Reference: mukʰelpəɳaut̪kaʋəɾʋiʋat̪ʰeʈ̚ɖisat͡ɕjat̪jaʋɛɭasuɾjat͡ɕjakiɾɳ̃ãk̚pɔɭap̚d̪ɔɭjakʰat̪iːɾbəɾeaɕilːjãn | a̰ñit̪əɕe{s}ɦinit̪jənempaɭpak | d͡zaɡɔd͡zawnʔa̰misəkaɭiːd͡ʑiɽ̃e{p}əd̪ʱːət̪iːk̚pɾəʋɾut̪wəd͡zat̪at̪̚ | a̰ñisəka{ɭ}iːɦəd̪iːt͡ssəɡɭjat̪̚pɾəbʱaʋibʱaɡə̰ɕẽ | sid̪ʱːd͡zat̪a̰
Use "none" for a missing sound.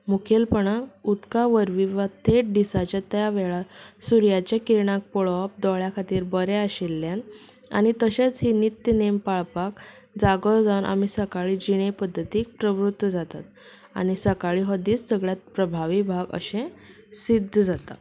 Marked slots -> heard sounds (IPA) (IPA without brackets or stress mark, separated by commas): t͡s, p, ɭ